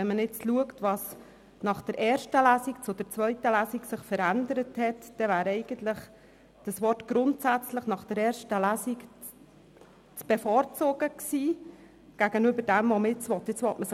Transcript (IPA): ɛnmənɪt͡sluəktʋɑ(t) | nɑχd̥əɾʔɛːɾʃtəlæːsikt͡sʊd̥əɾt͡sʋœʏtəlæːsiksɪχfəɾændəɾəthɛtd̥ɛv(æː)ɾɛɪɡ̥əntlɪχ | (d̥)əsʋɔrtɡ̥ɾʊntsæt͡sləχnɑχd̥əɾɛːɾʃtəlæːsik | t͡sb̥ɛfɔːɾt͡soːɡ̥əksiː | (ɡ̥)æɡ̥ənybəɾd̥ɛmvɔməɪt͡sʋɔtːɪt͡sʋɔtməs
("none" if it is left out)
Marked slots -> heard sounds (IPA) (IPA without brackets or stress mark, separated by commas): s, æː, d̥, ɡ̥